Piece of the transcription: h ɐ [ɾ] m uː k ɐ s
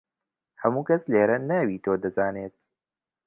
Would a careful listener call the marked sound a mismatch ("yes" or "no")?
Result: yes